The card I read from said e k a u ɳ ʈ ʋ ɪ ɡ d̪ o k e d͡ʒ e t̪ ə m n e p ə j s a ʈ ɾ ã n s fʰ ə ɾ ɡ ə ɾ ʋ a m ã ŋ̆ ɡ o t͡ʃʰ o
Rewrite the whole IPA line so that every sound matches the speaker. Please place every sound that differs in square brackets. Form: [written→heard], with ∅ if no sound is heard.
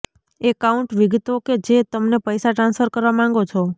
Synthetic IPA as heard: e k a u ɳ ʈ ʋ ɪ ɡ [d̪→t̪] o k e d͡ʒ e t̪ ə m n e p ə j s a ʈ ɾ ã n s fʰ ə ɾ [ɡ→k] ə ɾ ʋ a m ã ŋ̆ ɡ o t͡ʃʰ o